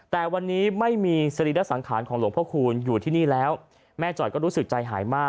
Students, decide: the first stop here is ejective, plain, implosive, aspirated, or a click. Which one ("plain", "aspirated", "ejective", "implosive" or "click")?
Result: plain